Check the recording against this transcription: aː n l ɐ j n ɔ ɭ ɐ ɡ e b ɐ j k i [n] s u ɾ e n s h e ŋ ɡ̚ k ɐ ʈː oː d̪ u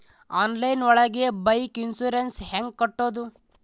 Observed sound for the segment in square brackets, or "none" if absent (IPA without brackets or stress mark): n